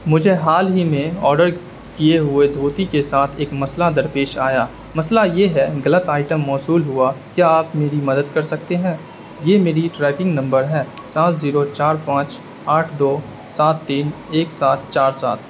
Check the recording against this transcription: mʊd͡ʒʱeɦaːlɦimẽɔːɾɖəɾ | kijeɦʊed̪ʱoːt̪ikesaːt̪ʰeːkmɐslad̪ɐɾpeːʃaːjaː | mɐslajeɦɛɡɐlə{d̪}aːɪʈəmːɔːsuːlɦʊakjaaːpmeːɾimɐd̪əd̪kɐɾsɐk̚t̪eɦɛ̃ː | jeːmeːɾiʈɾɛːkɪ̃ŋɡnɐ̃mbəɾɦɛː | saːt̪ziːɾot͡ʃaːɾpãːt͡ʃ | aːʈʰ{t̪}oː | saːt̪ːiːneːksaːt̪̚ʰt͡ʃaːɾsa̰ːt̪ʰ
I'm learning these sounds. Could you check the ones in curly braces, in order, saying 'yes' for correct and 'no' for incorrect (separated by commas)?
no, no